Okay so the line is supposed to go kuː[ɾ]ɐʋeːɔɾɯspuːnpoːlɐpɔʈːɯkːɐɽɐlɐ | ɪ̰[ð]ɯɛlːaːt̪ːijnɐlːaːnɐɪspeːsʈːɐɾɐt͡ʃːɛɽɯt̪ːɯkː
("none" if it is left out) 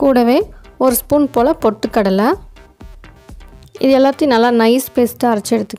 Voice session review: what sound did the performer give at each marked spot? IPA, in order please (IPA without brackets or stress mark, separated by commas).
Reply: ɽ, ð